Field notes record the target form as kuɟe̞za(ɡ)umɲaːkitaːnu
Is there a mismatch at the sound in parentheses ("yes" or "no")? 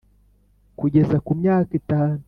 yes